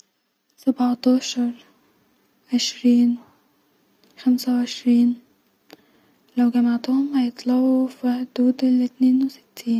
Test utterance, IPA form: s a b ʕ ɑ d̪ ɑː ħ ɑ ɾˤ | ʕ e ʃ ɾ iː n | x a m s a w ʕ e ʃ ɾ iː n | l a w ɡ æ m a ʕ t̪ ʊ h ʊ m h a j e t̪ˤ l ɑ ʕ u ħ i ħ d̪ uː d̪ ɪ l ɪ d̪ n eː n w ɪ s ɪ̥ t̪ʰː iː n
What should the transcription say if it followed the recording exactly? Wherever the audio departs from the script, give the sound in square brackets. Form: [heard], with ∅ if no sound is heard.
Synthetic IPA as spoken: s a b ʕ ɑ [t̪] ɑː [ʃ] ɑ ɾˤ | ʕ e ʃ ɾ iː n | x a m s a w ʕ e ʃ ɾ iː n | l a w ɡ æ m a ʕ t̪ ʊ h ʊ m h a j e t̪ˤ l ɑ ʕ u [f] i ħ d̪ uː d̪ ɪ l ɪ [t̪] n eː n w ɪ s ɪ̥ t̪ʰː iː n

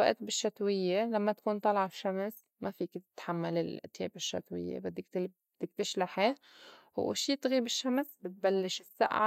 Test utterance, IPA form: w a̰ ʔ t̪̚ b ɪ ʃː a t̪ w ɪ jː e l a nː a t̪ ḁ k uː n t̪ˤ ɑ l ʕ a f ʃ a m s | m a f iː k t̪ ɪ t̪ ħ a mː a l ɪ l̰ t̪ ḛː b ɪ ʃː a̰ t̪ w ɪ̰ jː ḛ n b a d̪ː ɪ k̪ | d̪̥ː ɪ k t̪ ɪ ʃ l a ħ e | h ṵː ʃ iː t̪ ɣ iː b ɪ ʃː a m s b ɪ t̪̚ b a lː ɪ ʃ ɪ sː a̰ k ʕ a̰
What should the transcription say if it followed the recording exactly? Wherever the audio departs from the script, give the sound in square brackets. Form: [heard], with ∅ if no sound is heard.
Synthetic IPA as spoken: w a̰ ʔ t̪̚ b ɪ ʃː a t̪ w ɪ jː e l a [mː] a t̪ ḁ k uː n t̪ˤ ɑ l ʕ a f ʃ a m s | m a f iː k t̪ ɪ t̪ ħ a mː a l ɪ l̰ t̪ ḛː b ɪ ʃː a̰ t̪ w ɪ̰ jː ḛ [∅] b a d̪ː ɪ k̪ | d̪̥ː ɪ k t̪ ɪ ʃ l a ħ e | h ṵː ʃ iː t̪ ɣ iː b ɪ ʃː a m s b ɪ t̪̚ b a lː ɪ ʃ ɪ sː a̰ [ʔ] ʕ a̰

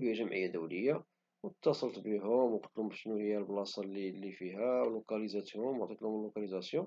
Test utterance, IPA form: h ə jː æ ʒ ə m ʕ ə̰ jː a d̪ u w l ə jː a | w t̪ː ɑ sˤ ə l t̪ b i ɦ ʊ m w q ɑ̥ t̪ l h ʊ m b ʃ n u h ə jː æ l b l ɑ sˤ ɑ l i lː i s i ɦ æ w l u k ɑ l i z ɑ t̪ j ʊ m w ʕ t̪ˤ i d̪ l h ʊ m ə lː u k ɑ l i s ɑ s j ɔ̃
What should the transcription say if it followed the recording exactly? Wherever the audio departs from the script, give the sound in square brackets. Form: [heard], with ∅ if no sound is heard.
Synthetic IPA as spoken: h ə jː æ ʒ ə m ʕ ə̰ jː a d̪ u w l ə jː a | w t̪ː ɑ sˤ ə l t̪ b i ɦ ʊ m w q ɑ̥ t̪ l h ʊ m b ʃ n u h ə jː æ l b l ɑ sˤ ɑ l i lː i [f] i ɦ æ w l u k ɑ l i z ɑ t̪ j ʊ m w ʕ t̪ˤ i [t̪] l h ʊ m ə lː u k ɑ l i [z] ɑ s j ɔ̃

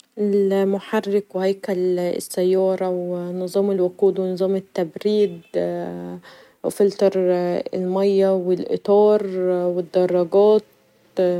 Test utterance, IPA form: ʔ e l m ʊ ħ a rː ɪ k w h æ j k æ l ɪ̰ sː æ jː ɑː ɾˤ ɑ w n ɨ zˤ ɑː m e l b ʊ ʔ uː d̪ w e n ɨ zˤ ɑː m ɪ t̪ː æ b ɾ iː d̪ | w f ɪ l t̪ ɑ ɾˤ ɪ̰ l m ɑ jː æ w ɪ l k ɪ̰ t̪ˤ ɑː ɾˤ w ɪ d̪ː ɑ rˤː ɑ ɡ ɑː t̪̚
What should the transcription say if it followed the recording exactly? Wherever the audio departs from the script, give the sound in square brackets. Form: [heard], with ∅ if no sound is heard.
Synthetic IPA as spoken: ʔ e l m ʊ ħ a rː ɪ k w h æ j k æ l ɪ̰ sː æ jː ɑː ɾˤ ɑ w n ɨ zˤ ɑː m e l [w] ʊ [q] uː d̪ w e n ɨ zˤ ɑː m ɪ t̪ː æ b ɾ iː d̪ | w f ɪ l t̪ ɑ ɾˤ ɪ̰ l m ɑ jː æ w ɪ l [ʔ] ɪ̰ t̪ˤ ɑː ɾˤ w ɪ d̪ː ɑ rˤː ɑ ɡ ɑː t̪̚

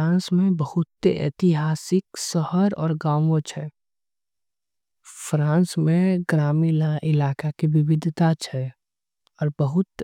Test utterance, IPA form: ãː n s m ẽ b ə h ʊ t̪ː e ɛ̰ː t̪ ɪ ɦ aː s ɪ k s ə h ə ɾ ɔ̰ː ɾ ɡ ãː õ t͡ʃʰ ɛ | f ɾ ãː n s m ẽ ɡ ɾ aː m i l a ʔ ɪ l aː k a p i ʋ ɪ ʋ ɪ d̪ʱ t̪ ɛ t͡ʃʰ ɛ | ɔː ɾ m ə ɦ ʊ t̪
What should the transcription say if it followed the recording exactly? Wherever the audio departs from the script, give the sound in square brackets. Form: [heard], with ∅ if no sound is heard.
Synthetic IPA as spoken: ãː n s m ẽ b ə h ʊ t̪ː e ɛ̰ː t̪ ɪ ɦ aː s ɪ k s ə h ə ɾ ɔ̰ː ɾ ɡ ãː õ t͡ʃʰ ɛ | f ɾ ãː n s m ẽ ɡ ɾ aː m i l a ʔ ɪ l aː k a [k] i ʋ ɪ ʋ ɪ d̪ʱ t̪ [a] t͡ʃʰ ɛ | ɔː ɾ [b] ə ɦ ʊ t̪

